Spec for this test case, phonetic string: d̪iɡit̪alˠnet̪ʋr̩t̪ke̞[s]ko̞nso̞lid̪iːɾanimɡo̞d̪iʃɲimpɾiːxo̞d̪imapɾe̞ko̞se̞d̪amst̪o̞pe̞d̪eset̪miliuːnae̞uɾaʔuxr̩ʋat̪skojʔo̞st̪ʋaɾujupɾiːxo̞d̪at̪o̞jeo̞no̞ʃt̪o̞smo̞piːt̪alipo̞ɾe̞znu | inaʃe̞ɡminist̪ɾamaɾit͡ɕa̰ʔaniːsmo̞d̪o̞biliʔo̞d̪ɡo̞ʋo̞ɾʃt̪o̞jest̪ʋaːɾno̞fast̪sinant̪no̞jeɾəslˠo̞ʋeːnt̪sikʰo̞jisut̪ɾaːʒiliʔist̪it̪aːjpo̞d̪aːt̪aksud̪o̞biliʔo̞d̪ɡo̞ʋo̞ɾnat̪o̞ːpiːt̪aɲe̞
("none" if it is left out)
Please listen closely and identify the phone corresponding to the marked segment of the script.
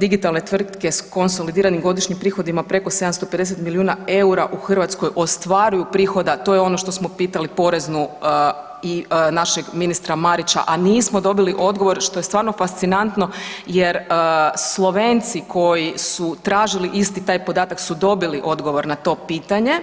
s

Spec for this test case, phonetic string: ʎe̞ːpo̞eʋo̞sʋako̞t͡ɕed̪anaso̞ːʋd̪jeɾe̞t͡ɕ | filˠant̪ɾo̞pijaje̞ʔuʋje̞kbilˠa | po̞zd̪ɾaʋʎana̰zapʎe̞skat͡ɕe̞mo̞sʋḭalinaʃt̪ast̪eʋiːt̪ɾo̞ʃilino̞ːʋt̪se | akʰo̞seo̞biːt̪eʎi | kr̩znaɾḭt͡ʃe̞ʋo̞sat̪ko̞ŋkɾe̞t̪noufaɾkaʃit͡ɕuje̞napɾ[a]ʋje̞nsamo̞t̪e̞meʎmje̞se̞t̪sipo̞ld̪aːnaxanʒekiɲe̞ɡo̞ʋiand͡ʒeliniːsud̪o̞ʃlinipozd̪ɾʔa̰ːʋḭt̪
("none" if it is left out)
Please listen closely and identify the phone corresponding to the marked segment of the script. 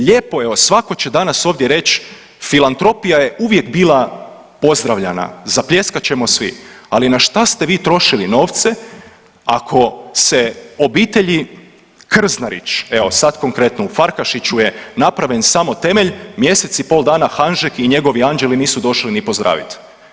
a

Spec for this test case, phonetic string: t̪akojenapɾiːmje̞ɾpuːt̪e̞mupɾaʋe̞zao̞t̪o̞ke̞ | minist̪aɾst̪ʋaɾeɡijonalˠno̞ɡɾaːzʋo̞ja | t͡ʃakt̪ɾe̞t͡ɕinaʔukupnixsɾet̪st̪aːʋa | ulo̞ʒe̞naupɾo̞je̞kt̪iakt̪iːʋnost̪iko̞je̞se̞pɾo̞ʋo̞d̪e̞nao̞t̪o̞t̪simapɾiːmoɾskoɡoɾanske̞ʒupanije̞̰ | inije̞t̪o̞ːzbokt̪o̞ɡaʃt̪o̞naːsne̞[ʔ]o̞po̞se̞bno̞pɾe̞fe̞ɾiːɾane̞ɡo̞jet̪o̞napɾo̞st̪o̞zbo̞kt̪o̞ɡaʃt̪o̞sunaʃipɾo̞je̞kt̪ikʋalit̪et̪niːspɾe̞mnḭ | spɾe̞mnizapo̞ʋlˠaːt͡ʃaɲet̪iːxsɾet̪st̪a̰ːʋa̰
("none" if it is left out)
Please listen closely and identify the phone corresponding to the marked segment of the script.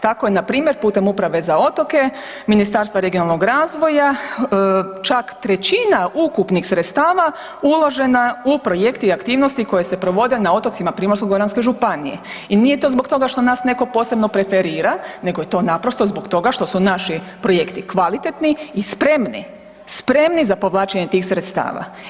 k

